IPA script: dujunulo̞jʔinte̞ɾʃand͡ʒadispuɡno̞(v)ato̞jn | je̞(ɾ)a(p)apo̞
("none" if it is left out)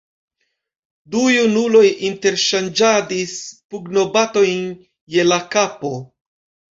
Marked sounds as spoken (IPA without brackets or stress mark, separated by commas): b, l, k